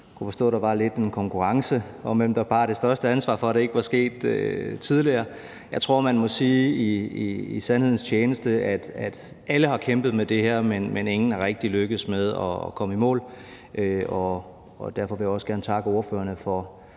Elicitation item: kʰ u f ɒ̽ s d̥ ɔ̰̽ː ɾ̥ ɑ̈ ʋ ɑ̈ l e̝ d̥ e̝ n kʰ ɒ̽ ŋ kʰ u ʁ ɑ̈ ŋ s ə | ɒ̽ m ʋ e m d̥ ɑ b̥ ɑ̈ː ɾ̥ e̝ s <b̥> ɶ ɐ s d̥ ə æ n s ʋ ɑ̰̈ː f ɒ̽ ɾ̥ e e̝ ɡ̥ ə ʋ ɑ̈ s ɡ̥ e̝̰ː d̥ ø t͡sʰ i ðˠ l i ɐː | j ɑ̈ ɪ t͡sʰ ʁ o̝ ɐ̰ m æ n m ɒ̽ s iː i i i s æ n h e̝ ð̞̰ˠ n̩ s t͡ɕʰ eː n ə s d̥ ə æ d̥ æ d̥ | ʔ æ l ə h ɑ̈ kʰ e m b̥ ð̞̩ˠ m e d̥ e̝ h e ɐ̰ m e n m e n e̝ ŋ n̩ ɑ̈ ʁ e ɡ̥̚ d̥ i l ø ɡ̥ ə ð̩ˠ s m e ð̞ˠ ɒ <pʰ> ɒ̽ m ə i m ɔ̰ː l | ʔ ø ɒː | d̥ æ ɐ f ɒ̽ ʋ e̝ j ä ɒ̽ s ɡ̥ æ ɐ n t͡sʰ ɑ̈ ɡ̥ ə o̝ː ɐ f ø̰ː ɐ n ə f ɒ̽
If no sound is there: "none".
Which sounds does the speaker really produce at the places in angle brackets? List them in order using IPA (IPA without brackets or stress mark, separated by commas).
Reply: d̥, kʰ